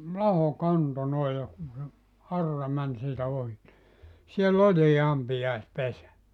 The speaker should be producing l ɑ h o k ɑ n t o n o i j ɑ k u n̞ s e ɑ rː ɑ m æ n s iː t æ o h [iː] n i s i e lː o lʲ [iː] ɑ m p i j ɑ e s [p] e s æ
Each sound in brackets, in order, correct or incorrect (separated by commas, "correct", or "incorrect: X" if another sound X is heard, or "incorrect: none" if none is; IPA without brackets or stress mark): incorrect: i, correct, correct